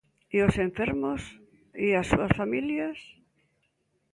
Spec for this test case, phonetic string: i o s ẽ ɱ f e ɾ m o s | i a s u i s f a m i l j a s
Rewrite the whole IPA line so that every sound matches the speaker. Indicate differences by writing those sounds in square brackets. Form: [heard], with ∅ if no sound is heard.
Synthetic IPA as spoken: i o s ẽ ɱ f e ɾ m o s | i a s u [a] s f a m i l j a s